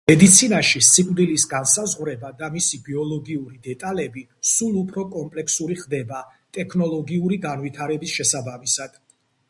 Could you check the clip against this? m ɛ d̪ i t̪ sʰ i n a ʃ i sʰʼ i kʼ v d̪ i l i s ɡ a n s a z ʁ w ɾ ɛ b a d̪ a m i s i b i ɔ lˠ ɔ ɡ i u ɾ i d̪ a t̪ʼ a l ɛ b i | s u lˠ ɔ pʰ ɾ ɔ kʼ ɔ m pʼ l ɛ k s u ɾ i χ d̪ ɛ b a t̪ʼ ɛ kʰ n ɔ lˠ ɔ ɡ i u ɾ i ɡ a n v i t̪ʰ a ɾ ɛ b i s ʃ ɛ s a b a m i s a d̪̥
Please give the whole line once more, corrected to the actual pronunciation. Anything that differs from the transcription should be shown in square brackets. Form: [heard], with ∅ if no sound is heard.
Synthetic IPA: m ɛ d̪ i t̪ sʰ i n a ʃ i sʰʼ i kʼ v d̪ i l i s ɡ a n s a z ʁ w ɾ ɛ b a d̪ a m i s i b i ɔ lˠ ɔ ɡ i u ɾ i d̪ [ɛ] t̪ʼ a l ɛ b i | s u lˠ [u] pʰ ɾ ɔ kʼ ɔ m pʼ l ɛ k s u ɾ i χ d̪ ɛ b a t̪ʼ ɛ kʰ n ɔ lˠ ɔ ɡ i u ɾ i ɡ a n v i t̪ʰ a ɾ ɛ b i s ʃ ɛ s a b a m i s a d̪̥